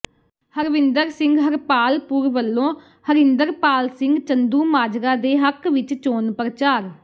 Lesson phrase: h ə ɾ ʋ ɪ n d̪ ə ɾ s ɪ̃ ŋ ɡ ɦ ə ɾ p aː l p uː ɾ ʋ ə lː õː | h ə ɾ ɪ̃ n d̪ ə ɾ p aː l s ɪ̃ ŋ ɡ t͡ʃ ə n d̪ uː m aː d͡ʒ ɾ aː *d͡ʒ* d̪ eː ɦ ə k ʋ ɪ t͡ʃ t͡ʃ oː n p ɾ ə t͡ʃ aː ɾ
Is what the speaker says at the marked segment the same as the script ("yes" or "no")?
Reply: no